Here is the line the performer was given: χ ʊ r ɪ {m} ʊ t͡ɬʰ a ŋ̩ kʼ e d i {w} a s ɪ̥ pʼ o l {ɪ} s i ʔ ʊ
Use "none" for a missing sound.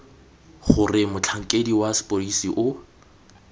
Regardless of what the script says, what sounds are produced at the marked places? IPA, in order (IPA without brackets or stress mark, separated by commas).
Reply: m, w, i